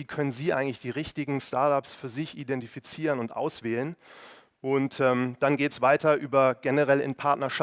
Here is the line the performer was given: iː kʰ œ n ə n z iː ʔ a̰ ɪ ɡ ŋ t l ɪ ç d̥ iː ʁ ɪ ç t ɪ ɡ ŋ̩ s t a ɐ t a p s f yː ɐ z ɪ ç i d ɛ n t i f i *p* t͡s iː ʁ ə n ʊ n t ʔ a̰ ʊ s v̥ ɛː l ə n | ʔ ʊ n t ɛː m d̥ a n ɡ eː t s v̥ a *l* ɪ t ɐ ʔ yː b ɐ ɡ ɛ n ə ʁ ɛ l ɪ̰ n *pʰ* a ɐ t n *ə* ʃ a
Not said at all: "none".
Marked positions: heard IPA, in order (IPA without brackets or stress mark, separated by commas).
none, none, pʰ, ɐ